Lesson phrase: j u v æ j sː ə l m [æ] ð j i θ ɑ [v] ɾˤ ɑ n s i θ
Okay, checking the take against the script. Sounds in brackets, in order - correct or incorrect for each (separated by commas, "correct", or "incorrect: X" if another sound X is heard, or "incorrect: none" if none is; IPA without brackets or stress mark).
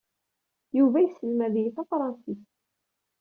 correct, incorrect: f